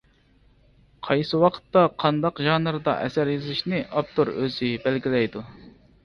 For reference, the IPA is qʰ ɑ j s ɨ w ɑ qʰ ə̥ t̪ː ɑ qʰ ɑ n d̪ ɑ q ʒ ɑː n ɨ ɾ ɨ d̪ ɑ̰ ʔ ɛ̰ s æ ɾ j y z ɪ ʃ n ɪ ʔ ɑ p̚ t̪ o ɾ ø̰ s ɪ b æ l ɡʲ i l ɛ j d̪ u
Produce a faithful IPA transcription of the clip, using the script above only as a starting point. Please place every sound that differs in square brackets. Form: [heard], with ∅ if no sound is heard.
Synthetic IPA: qʰ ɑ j s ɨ w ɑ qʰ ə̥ t̪ː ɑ qʰ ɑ n d̪ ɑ q ʒ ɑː n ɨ ɾ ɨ d̪ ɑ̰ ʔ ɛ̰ s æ ɾ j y z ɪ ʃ n ɪ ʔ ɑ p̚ t̪ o ɾ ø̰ [z] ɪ b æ l ɡʲ i l ɛ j d̪ u